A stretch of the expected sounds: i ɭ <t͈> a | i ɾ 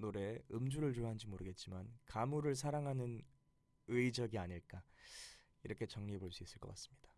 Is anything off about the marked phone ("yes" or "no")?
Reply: yes